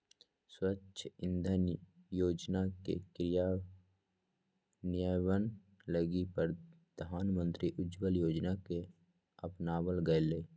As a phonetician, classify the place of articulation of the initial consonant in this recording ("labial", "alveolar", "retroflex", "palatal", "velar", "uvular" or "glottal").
alveolar